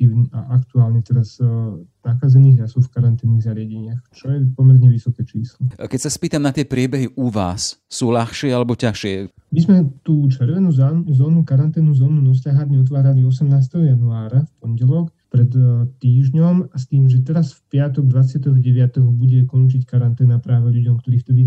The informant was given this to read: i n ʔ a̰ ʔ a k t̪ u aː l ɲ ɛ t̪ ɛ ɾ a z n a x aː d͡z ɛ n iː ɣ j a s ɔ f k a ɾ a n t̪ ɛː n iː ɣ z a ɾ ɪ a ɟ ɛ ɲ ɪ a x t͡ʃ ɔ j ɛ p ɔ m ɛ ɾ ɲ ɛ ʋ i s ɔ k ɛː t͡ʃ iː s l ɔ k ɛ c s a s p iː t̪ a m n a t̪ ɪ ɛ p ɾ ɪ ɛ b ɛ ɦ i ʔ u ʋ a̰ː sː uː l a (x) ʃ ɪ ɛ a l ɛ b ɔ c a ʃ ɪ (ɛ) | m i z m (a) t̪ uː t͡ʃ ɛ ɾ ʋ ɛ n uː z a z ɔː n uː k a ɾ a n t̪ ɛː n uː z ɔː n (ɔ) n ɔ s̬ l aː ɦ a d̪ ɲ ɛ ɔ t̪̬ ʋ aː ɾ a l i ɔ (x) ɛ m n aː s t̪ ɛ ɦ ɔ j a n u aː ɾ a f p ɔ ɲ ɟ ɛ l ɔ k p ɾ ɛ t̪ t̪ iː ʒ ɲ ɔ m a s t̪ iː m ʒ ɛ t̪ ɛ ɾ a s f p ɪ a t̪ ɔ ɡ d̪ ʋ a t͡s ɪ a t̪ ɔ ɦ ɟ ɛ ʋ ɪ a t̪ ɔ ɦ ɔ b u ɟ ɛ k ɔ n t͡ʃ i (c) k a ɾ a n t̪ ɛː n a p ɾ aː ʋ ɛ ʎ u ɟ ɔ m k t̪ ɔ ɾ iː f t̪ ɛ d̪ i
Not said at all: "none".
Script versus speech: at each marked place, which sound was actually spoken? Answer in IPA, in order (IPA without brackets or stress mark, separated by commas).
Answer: x, ɛ, ɛ, u, s, c